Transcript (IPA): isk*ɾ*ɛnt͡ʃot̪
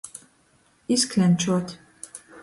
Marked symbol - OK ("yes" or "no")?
no